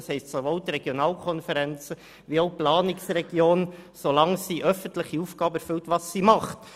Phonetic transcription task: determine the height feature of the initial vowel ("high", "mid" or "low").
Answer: mid